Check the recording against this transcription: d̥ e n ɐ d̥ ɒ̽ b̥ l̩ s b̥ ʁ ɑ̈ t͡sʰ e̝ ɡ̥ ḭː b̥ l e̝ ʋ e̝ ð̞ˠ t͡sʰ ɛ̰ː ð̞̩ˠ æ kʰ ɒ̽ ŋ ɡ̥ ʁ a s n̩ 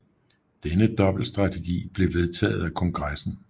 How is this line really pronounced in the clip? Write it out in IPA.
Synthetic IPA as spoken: d̥ e n ə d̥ ɒ̽ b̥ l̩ s d̥ ʁ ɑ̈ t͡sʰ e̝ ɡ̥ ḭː b̥ l e̝ ʋ e̝ ð̞ˠ t͡sʰ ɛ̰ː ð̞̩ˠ æ kʰ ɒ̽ ŋ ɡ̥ ʁ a s n̩